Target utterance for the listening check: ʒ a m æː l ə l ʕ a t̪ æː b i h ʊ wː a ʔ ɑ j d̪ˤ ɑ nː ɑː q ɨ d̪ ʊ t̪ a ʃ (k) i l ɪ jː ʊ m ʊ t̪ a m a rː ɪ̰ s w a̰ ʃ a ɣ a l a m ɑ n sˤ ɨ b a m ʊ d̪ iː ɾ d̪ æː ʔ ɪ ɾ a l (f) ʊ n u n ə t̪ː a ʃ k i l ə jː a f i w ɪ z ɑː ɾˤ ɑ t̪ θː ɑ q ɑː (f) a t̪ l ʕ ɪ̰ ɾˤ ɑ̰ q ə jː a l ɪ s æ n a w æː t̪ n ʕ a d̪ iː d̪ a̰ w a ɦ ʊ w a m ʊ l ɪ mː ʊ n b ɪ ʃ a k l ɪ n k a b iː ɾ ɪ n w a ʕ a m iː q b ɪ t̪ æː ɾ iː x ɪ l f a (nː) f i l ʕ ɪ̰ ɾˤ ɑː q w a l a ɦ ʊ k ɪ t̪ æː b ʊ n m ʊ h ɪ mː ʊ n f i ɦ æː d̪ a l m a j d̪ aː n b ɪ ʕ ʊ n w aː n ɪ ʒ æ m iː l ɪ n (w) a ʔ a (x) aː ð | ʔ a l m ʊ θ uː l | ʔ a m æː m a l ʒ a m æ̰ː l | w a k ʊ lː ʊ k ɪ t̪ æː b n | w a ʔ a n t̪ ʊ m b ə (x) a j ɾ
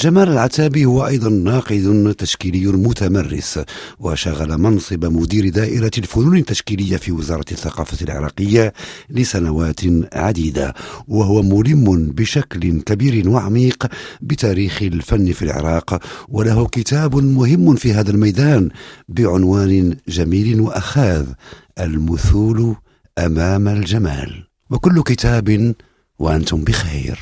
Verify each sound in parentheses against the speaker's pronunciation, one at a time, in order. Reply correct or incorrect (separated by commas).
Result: correct, correct, correct, correct, correct, correct, correct